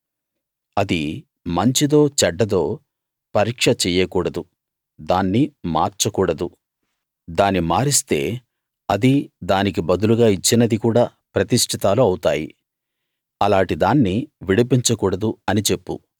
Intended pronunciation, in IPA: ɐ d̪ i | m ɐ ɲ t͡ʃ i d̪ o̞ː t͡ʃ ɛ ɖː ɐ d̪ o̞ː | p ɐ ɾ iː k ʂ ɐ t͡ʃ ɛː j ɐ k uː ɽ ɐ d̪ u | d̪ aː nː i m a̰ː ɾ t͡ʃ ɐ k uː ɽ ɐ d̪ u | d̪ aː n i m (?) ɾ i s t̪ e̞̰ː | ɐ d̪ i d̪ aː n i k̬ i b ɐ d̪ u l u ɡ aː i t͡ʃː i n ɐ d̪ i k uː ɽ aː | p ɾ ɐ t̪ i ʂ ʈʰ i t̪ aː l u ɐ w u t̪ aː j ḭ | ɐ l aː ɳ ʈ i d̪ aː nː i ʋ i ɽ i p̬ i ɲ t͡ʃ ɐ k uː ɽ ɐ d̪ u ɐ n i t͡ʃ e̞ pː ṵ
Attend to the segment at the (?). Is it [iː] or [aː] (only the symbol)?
aː